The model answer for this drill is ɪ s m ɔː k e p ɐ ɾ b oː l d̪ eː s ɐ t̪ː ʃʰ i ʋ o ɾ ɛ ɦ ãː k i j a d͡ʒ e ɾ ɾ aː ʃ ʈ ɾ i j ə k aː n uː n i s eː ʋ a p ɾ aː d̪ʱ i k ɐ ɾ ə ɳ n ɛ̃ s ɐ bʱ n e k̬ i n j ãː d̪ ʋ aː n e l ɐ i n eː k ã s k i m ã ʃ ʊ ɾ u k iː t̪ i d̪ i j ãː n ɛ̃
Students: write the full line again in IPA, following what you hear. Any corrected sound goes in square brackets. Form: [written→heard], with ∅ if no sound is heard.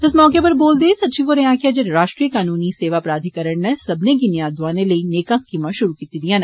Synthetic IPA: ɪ s m ɔː k e p ɐ ɾ b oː l d̪ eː s ɐ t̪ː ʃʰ i ʋ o ɾ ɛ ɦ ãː k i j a d͡ʒ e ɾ ɾ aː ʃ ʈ ɾ i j ə k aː n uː n i s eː ʋ a p ɾ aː d̪ʱ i k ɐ ɾ ə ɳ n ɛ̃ s ɐ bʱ n e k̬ i n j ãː d̪ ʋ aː n e l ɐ i n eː k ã s k i m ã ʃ ʊ ɾ u k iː t̪ i d̪ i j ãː n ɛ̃